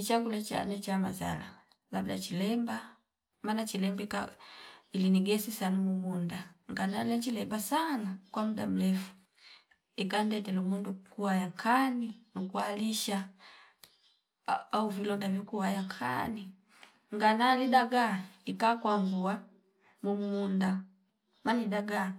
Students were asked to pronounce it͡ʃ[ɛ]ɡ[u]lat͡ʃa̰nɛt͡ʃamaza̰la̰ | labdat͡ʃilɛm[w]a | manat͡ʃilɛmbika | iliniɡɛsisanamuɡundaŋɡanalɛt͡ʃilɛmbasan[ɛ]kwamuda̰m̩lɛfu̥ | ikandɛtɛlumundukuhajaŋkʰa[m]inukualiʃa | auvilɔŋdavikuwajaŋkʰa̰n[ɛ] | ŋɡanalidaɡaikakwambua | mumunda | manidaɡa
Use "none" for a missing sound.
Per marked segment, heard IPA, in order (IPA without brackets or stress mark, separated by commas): a, u, b, a, n, i